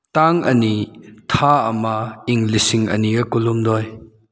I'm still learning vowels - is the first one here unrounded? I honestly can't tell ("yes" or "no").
yes